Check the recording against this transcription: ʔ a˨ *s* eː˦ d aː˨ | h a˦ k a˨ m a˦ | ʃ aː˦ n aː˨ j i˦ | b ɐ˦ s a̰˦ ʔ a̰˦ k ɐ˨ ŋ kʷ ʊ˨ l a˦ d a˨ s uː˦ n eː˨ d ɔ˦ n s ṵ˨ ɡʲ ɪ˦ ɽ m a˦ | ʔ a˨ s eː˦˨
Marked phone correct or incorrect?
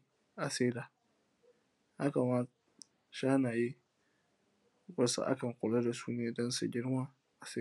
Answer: correct